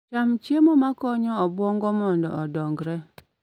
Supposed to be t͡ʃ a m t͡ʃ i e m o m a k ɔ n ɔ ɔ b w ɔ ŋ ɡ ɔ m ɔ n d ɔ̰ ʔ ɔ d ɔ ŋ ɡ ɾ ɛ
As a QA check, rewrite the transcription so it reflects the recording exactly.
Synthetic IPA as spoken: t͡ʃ a m t͡ʃ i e m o m a k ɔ ɲ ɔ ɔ b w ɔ ŋ ɡ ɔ m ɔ n d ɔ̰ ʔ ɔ d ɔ ŋ ɡ ɾ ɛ